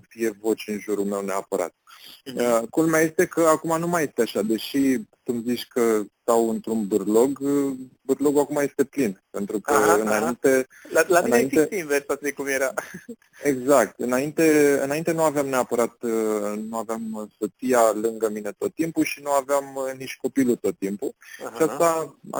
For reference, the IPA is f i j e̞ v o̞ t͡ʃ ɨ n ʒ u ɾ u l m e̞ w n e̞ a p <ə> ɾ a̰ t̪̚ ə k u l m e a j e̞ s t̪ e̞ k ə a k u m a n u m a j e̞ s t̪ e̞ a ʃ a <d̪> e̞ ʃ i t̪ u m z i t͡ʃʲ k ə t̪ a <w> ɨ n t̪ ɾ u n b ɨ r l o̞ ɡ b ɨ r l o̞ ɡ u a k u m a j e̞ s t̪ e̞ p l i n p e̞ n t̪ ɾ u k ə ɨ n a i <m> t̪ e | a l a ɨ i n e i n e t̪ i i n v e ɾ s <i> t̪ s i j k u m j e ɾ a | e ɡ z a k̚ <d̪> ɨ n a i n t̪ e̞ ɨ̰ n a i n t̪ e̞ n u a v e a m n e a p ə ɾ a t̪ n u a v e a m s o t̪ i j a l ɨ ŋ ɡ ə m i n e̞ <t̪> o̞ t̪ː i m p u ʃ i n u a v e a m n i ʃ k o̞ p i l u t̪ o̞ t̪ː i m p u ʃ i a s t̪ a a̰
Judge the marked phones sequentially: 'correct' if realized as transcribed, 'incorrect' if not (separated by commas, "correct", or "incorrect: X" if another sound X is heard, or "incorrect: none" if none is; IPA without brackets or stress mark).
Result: correct, correct, correct, incorrect: n, incorrect: a, incorrect: t̪, correct